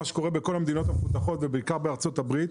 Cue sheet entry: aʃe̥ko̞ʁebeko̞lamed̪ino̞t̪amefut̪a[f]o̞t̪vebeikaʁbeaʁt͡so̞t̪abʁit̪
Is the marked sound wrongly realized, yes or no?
yes